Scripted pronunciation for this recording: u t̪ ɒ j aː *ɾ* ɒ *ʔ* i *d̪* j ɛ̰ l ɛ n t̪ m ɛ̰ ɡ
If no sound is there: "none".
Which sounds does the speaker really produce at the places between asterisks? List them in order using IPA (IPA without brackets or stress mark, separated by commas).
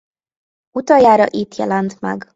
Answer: ɾ, ʔ, t̪